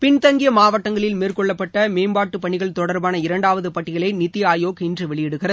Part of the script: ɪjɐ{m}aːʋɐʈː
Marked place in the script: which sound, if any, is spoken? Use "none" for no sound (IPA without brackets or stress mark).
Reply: m